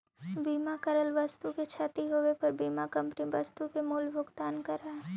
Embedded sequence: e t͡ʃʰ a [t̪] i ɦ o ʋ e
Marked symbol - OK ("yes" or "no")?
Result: yes